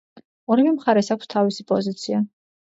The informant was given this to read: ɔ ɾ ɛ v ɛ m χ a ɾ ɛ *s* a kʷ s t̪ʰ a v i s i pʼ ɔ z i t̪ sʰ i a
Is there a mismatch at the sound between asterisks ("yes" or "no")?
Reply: no